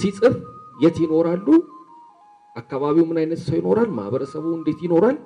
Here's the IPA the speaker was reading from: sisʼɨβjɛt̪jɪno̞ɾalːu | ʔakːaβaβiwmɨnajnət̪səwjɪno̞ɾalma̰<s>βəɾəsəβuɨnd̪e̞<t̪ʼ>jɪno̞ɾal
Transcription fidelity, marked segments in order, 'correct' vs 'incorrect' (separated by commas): incorrect, incorrect